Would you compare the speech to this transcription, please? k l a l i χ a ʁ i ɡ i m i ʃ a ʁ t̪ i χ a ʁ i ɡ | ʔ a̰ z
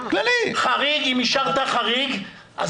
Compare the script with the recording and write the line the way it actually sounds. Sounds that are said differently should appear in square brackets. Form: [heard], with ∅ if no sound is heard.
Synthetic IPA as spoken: k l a l i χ a ʁ i ɡ i m i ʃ a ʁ t̪ [a] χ a ʁ i ɡ | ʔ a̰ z